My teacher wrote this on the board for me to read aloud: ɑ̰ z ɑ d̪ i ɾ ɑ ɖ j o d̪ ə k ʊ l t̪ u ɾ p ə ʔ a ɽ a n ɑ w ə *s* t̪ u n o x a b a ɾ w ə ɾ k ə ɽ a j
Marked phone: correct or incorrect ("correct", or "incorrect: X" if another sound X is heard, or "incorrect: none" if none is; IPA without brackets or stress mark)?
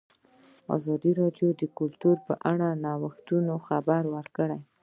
incorrect: x